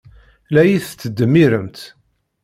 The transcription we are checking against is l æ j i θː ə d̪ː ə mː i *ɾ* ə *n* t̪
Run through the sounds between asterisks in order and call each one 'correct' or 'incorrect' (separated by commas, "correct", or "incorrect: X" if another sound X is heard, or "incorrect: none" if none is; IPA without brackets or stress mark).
correct, incorrect: m